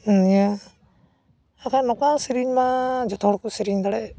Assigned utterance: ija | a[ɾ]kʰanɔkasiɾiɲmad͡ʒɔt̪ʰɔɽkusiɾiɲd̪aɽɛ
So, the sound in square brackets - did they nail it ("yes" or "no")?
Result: no